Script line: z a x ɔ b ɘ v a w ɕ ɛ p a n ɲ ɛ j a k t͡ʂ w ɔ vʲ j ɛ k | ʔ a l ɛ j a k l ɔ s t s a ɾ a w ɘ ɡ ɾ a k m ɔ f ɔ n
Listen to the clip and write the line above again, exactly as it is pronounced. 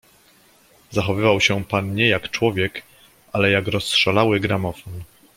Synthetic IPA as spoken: z a x ɔ v ɘ v a w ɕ ɛ p a n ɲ ɛ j a k t͡ʂ w ɔ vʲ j ɛ k | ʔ a l ɛ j a k ɾ ɔ s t ʂ a l a w ɘ ɡ ɾ a m ɔ f ɔ n